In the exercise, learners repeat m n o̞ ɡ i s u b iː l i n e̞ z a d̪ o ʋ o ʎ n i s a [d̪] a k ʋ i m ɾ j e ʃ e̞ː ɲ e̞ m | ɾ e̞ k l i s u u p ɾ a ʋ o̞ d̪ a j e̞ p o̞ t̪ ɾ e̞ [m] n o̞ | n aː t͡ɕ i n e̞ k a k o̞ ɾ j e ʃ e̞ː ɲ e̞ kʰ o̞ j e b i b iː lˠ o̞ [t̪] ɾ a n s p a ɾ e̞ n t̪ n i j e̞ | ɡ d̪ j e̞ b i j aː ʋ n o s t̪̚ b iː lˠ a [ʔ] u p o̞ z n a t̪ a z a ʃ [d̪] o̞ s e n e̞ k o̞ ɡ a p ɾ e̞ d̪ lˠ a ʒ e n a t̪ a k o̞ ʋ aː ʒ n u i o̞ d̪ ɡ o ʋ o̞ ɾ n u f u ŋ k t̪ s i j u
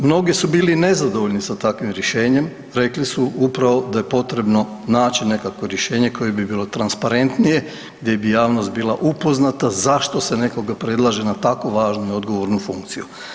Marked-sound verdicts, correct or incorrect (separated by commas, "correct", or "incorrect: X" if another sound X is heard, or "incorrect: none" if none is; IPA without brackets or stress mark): incorrect: t̪, incorrect: b, correct, correct, incorrect: t̪